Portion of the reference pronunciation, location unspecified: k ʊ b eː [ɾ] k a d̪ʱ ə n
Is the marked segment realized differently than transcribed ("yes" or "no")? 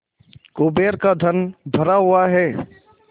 no